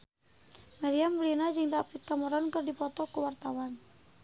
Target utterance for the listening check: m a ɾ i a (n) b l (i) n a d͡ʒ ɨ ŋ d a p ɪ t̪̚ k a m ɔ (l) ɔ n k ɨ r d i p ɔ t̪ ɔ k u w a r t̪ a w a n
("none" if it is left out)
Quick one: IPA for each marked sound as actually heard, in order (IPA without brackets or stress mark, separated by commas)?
m, i, ɾ